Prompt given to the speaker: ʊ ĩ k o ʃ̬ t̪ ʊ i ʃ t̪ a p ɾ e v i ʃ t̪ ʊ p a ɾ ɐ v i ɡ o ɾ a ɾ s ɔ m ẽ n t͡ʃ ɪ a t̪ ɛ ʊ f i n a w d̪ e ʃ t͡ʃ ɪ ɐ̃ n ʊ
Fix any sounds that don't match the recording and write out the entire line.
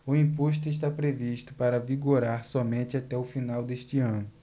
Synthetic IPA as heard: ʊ ĩ p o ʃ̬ t̪ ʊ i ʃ t̪ a p ɾ e v i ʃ t̪ ʊ p a ɾ ɐ v i ɡ o ɾ a ɾ s ɔ m ẽ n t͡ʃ ɪ a t̪ ɛ ʊ f i n a w d̪ e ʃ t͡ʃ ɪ ɐ̃ n ʊ